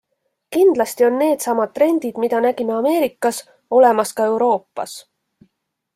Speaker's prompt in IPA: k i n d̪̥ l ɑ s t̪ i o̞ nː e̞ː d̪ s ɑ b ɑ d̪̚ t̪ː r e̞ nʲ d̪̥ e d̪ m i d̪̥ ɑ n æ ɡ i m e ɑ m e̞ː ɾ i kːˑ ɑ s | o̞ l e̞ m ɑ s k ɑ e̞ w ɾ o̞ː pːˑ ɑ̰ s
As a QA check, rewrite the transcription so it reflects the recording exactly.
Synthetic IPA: k i n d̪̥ l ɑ s t̪ i o̞ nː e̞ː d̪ s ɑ m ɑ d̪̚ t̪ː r e̞ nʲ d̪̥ i d̪ m i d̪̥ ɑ n æ ɡ i m e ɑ m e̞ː ɾ i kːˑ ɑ s | o̞ l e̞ m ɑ s k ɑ e̞ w ɾ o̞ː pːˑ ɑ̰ s